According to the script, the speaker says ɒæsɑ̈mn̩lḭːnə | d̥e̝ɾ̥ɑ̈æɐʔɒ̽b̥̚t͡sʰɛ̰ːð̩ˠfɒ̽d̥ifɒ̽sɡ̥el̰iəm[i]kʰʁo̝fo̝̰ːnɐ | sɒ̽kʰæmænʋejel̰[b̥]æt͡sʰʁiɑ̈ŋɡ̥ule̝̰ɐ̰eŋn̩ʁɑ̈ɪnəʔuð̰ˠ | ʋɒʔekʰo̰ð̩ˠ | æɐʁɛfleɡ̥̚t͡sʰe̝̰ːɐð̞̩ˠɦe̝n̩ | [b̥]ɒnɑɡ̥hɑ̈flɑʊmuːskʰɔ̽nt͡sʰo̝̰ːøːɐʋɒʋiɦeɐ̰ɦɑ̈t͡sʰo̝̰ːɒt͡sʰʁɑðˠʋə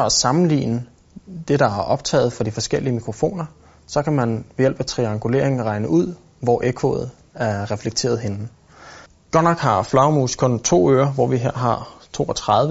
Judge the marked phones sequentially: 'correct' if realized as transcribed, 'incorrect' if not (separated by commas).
correct, correct, incorrect